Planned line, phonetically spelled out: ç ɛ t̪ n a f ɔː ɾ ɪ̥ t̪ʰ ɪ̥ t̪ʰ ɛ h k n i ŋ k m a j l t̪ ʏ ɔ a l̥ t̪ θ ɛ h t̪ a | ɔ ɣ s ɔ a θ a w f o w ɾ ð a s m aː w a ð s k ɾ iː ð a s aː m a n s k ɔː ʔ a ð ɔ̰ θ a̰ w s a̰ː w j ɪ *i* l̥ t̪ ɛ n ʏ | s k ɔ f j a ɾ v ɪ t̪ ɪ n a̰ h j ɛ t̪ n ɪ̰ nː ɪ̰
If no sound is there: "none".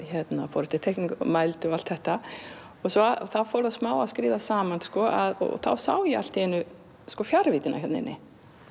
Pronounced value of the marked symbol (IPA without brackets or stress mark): a